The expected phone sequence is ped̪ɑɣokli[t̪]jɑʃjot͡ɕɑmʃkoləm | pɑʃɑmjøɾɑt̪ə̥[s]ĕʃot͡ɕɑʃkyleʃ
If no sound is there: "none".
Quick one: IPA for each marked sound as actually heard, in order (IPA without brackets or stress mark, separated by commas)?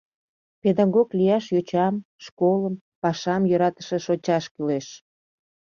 none, ʃ